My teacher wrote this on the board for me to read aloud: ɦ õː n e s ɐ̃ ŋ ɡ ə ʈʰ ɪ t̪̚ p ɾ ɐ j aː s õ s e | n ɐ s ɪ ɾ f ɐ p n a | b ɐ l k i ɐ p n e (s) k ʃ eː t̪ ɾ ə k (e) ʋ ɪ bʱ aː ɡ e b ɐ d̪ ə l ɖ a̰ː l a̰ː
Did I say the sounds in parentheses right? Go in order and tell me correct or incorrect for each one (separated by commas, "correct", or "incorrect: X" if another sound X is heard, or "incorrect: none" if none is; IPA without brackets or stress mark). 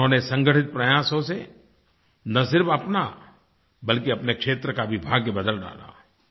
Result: incorrect: none, incorrect: a